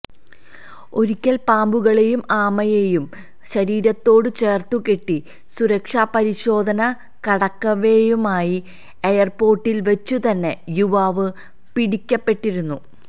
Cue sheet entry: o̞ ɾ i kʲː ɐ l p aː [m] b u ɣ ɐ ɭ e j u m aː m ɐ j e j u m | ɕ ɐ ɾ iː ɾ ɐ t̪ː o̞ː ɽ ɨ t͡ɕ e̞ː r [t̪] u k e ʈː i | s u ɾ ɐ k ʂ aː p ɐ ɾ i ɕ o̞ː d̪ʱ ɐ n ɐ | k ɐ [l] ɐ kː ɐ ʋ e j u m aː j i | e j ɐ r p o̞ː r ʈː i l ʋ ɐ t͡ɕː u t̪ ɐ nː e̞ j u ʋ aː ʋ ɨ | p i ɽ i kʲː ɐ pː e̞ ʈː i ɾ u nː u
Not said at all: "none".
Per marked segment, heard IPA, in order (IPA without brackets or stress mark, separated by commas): m, t̪, ɽ